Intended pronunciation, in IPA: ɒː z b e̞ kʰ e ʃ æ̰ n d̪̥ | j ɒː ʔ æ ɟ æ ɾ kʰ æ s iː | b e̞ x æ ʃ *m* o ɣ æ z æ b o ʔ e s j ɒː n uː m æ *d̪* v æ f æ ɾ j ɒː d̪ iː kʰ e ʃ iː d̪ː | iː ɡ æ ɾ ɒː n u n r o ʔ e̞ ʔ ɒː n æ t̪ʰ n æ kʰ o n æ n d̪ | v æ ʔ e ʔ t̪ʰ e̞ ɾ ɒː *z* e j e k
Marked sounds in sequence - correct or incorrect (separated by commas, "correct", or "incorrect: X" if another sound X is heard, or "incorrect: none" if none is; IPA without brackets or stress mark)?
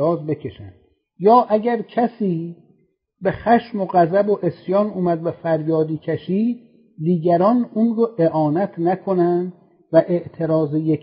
correct, correct, correct